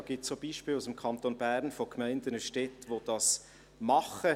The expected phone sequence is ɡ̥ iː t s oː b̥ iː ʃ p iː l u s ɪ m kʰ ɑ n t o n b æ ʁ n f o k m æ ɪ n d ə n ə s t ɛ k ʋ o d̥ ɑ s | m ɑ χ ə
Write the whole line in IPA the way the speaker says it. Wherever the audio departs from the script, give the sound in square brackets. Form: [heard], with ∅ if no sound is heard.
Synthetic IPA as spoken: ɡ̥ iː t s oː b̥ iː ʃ p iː l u s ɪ m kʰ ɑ n t o n b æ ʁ n f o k m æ ɪ n d ə n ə [ʃ] t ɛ [t] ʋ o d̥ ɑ s | m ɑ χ ə